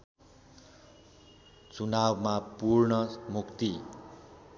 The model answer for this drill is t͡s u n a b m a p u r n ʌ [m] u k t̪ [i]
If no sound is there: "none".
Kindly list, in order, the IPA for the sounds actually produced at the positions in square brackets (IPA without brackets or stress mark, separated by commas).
m, i